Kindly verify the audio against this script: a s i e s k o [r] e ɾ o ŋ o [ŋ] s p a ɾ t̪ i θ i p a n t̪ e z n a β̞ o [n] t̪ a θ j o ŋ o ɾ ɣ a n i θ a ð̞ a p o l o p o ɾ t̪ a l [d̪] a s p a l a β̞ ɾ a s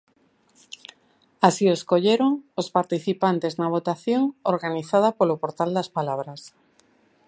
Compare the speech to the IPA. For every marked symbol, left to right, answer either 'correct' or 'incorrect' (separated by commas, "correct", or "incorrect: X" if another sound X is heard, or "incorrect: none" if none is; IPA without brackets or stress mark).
incorrect: ʎ, incorrect: none, incorrect: none, correct